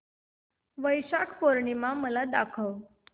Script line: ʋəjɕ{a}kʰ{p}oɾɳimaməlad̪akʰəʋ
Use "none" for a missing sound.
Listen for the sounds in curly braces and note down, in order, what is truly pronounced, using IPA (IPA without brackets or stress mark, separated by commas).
a, p